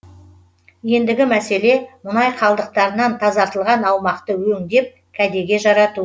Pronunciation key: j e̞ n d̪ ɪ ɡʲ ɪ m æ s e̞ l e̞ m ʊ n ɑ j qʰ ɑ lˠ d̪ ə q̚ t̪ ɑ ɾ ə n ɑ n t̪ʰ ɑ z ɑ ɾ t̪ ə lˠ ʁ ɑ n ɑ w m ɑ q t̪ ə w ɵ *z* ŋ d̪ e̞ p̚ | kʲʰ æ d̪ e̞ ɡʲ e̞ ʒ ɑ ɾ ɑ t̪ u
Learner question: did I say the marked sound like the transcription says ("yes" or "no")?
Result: no